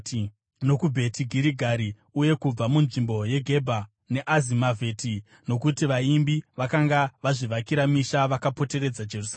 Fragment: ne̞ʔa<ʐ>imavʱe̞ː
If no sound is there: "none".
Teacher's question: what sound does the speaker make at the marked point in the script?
z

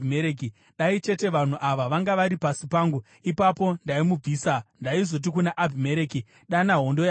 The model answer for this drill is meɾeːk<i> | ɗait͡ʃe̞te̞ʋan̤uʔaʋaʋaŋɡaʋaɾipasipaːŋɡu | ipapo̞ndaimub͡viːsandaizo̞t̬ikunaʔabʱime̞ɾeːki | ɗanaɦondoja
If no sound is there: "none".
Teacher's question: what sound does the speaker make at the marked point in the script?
i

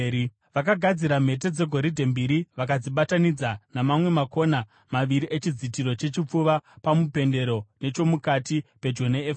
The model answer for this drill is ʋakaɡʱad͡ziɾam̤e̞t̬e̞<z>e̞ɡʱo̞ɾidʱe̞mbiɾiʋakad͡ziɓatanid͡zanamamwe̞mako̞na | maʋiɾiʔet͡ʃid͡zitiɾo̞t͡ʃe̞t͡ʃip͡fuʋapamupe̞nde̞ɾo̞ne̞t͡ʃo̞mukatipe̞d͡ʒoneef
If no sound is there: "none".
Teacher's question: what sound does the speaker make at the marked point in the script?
d͡z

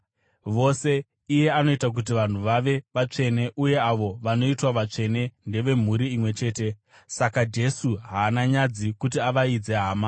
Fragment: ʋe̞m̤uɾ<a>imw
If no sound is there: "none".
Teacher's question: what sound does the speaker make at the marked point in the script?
i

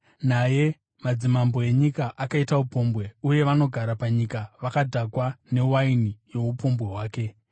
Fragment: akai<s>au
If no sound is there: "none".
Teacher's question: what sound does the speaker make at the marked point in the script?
t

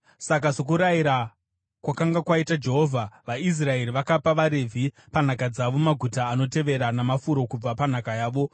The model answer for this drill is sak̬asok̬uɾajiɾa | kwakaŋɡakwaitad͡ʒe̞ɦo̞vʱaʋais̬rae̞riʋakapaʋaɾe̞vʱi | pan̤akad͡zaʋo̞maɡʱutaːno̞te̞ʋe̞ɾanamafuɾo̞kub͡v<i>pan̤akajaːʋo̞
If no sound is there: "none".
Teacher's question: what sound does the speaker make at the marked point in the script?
a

